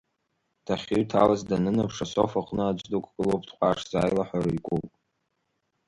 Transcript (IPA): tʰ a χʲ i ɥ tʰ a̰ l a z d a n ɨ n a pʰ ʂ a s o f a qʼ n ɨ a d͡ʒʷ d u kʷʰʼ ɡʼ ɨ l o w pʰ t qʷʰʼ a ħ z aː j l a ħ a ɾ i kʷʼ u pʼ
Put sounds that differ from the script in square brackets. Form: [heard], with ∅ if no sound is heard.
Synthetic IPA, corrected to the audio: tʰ a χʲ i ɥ tʰ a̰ l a z d a n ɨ n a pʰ ʂ a s o f a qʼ n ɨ a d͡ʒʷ d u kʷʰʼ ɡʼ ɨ l o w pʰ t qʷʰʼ a [ʂ] z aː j l a ħ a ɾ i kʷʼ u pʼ